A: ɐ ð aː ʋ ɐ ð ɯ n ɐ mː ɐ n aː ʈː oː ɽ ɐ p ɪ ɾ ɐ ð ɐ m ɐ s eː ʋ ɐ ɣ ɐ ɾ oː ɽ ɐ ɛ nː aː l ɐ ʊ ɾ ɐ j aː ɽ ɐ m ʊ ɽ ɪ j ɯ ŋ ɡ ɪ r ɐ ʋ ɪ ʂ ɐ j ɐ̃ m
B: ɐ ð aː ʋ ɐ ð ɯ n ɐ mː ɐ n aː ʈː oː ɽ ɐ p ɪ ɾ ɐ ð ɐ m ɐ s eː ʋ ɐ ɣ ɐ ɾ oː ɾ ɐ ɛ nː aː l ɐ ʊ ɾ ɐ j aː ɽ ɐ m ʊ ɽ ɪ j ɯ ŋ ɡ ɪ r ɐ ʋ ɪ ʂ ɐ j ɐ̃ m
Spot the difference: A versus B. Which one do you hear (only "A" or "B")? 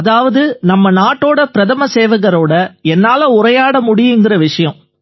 A